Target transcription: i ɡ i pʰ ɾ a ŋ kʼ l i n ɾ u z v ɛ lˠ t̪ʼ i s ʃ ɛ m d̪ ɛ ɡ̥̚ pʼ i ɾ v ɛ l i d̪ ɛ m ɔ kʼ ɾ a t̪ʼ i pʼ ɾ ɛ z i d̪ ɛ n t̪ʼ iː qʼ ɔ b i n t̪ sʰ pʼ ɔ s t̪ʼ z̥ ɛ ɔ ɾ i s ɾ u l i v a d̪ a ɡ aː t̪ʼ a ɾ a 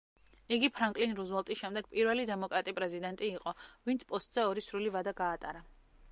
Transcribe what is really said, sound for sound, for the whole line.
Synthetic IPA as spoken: i ɡ i pʰ ɾ a ŋ kʼ l i n ɾ u z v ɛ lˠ t̪ʼ i s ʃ ɛ m d̪ ɛ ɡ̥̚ pʼ i ɾ v ɛ l i d̪ ɛ m ɔ kʼ ɾ a t̪ʼ i pʼ ɾ ɛ z i d̪ ɛ n t̪ʼ iː qʼ ɔ v i n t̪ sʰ pʼ ɔ s t̪ʼ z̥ ɛ ɔ ɾ i s ɾ u l i v a d̪ a ɡ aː t̪ʼ a ɾ a